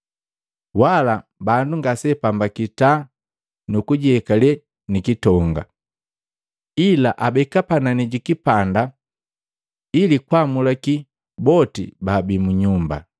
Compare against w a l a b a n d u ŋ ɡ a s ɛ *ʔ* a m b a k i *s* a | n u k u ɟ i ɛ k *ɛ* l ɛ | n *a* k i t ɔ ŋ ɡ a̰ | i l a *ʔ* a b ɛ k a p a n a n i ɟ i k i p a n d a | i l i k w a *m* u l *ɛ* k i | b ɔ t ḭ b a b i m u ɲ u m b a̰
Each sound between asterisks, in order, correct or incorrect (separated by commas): incorrect, incorrect, incorrect, incorrect, correct, correct, incorrect